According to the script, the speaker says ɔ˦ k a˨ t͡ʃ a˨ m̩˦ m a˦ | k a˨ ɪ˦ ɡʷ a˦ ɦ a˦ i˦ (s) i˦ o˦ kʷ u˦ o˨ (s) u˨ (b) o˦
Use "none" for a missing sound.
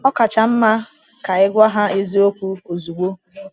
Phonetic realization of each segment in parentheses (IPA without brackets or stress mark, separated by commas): z, z, ɡ͡b